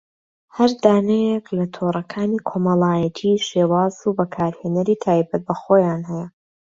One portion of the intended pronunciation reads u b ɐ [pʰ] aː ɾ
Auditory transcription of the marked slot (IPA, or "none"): kʰ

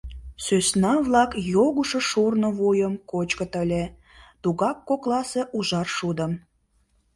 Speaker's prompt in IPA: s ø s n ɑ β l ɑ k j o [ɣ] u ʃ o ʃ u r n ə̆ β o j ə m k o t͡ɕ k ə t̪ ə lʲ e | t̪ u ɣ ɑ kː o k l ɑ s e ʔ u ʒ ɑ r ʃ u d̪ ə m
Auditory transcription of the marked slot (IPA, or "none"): ɣ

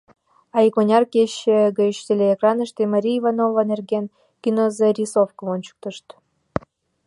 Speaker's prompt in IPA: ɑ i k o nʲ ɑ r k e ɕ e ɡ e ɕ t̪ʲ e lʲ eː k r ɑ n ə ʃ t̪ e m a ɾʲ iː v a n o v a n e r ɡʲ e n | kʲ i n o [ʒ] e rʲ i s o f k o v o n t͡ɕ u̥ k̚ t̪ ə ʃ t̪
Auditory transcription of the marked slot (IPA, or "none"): z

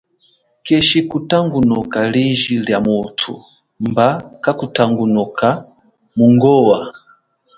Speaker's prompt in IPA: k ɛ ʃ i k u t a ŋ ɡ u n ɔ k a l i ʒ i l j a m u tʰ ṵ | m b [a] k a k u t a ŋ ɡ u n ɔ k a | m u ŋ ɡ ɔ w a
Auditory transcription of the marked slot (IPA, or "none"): a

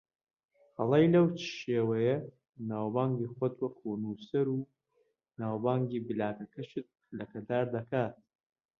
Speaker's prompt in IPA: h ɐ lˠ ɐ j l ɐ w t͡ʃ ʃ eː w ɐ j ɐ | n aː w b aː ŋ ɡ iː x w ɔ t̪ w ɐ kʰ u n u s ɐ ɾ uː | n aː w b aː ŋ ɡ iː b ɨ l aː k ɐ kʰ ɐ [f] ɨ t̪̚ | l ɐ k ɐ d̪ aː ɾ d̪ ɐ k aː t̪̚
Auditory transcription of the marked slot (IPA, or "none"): ʃ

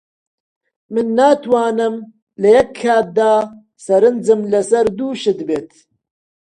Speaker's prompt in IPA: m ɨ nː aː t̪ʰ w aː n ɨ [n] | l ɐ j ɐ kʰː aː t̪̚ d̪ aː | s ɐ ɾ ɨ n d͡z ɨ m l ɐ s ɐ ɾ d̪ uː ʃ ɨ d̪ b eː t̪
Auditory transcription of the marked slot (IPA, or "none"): m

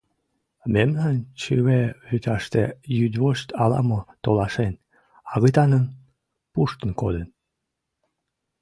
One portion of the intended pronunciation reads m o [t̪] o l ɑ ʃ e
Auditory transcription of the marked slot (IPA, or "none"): t̪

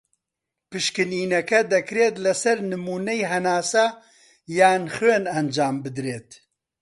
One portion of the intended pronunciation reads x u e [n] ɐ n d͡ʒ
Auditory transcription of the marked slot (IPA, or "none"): n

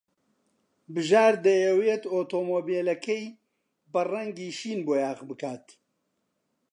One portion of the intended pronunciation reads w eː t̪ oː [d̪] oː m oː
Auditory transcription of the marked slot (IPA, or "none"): t̪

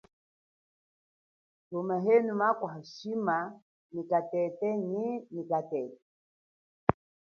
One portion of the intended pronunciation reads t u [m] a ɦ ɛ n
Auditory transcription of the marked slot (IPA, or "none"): m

